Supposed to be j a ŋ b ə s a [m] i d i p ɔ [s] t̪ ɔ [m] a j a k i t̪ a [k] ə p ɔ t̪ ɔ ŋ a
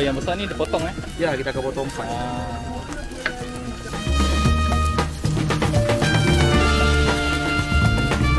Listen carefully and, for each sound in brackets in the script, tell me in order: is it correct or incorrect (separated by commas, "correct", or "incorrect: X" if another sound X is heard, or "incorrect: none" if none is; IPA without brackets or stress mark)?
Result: incorrect: n, incorrect: none, incorrect: ŋ, correct